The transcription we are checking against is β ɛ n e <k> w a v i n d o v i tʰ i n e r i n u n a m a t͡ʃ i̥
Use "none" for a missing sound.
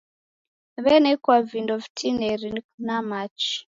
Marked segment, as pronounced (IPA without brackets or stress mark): k